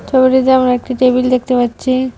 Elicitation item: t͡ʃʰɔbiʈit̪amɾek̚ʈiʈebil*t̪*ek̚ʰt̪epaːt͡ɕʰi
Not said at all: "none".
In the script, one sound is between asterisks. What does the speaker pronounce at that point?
d̪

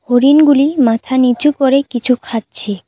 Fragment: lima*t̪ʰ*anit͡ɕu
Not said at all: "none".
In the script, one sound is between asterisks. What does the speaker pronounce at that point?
t̪ʰ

